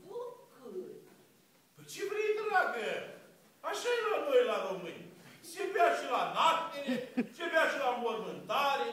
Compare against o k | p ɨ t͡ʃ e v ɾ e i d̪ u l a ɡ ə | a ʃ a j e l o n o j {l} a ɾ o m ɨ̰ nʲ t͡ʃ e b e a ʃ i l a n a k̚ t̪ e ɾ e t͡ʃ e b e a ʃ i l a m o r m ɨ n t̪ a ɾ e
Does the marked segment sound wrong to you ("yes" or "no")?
no